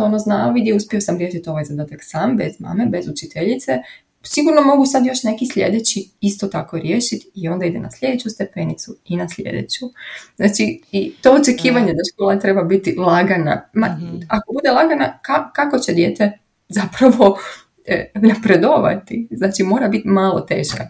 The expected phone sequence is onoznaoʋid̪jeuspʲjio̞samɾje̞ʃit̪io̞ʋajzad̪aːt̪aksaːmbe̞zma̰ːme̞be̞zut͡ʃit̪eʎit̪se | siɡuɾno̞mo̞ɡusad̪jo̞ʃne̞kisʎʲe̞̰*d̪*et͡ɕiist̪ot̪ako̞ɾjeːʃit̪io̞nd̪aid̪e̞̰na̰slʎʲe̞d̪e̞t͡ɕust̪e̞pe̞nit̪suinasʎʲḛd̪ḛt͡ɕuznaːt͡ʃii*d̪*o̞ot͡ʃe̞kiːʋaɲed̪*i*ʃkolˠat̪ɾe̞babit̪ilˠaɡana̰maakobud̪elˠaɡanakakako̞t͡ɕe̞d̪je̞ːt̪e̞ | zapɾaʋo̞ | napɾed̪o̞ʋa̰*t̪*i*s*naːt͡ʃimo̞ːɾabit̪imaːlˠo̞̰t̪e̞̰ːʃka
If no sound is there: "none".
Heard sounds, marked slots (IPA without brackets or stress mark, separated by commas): d̪, t̪, a, t̪, z